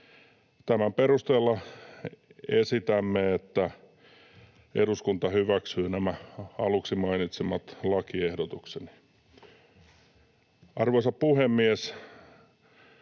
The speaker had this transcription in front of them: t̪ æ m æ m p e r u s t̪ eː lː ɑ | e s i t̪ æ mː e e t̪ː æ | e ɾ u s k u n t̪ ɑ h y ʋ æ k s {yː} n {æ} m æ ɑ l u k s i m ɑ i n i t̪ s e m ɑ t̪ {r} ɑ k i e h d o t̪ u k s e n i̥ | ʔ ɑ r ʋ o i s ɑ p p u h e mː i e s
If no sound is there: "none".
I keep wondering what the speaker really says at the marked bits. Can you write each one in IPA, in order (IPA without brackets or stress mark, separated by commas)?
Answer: yː, æ, l